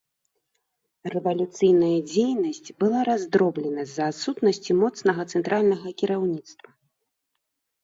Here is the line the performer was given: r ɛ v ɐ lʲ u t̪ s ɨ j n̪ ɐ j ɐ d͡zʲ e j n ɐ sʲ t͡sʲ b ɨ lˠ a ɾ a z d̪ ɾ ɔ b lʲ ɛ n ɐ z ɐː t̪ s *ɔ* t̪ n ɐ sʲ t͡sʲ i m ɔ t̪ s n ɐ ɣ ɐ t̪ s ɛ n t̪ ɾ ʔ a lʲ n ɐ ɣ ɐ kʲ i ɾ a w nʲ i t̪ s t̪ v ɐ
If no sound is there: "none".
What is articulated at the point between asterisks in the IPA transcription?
u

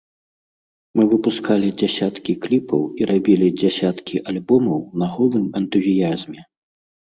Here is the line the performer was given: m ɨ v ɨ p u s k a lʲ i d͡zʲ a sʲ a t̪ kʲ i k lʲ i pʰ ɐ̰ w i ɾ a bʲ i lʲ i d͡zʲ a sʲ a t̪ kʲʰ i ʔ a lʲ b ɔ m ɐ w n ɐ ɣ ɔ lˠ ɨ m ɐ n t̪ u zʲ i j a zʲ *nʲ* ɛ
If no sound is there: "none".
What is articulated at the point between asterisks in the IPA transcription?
mʲ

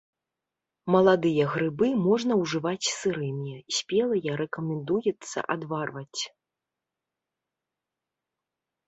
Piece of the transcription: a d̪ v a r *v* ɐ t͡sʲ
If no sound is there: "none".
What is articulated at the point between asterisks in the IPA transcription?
v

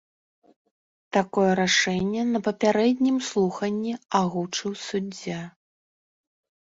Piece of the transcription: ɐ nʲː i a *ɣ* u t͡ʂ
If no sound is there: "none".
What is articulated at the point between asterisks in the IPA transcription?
ɣ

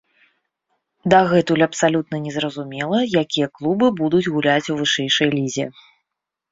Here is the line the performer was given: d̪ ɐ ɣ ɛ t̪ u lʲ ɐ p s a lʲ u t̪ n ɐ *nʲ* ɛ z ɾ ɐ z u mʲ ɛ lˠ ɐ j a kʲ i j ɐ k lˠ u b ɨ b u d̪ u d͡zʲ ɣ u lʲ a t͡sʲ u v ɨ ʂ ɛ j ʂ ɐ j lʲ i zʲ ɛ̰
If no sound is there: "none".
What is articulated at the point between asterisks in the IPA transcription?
nʲ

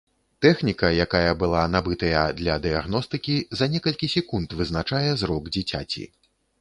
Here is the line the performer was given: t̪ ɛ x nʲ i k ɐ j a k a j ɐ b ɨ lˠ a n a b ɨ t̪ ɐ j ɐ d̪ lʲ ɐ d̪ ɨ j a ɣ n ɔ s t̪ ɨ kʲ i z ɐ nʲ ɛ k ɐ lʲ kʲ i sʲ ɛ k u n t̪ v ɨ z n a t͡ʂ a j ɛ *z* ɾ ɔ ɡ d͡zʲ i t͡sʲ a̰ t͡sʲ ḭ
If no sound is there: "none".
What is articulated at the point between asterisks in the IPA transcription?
z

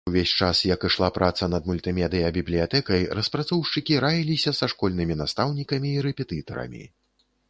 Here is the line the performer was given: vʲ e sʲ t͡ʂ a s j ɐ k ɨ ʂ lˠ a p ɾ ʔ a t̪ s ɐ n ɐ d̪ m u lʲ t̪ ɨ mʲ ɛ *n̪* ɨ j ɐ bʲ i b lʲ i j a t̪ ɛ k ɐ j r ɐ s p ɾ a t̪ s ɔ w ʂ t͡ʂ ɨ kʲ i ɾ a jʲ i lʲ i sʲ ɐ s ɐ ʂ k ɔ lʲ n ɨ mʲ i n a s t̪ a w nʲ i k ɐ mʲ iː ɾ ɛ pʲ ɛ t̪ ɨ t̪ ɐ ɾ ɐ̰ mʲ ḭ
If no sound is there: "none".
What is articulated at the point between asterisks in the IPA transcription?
d̪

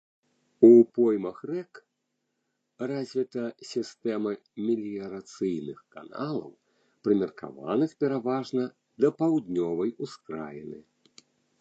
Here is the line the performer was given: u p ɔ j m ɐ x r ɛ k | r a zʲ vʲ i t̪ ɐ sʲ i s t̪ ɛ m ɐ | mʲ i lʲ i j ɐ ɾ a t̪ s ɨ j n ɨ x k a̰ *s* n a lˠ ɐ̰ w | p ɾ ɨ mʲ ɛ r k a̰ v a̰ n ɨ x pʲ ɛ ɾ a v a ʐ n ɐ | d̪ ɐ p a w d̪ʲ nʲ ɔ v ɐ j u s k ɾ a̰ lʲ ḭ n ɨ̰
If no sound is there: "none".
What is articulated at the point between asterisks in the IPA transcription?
none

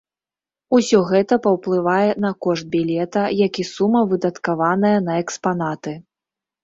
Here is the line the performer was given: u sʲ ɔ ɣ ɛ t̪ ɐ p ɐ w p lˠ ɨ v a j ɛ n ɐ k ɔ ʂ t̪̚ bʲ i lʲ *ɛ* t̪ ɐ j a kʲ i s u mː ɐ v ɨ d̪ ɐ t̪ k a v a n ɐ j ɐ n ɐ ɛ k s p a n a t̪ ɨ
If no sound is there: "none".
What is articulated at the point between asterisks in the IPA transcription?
ɛ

